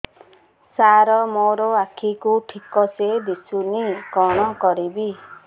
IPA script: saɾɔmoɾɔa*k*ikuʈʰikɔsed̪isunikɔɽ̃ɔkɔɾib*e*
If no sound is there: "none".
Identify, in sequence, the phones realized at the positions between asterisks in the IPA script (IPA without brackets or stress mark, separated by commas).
kʰ, i